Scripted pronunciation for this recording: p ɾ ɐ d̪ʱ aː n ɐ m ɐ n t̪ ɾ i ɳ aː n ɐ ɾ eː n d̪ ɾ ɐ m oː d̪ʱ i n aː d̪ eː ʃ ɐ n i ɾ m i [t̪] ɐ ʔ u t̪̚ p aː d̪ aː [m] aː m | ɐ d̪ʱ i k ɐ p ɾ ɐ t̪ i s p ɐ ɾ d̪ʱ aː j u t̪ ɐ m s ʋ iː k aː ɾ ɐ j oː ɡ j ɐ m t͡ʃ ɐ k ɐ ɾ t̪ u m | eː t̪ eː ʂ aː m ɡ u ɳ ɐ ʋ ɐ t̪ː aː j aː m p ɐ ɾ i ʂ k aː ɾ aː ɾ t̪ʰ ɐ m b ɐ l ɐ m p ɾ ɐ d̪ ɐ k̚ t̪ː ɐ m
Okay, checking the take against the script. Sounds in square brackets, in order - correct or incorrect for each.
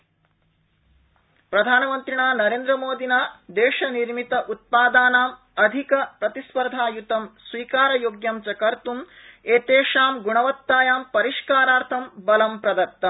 correct, incorrect: n

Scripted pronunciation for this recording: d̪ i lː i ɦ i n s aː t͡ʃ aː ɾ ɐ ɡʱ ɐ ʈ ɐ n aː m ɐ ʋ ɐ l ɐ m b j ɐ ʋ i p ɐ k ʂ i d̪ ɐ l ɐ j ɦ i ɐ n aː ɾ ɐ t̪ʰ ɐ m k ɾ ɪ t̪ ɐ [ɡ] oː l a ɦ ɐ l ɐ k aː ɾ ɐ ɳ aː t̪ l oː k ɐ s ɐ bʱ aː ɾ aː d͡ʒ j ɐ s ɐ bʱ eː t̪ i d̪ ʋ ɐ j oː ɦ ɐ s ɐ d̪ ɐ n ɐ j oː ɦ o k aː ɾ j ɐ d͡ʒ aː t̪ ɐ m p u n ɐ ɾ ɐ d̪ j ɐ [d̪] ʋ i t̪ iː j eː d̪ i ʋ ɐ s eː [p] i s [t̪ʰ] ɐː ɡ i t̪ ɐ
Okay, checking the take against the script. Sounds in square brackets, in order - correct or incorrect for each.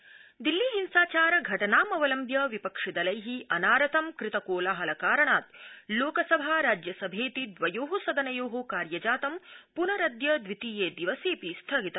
incorrect: k, correct, correct, correct

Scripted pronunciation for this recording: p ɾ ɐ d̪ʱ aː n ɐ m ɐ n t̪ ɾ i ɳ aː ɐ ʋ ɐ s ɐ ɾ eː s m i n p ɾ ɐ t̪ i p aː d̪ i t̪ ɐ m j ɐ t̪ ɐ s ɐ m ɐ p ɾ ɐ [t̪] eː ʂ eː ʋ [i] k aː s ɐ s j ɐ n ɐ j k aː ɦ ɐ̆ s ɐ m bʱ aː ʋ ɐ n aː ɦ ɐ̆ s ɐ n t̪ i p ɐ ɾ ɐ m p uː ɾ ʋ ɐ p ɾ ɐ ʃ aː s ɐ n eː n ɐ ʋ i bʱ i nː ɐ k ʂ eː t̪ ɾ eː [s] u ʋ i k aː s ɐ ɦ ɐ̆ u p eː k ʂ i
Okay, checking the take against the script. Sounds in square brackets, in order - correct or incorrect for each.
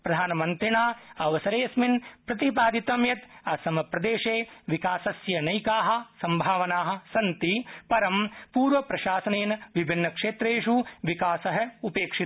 incorrect: d̪, correct, incorrect: ʂ

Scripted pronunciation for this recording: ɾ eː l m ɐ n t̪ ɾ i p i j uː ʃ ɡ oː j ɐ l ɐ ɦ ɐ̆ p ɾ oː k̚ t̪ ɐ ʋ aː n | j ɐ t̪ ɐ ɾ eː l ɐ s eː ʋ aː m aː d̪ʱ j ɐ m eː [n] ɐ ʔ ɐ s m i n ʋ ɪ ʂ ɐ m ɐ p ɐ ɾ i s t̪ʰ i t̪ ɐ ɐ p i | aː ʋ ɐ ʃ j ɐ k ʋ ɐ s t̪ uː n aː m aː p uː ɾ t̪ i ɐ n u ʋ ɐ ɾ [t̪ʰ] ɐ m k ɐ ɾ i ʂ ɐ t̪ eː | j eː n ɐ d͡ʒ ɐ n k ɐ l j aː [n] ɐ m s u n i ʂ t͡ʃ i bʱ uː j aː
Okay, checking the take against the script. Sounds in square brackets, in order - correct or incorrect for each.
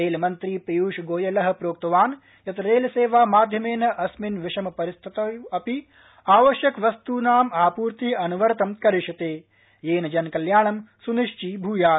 correct, incorrect: t̪, incorrect: ɳ

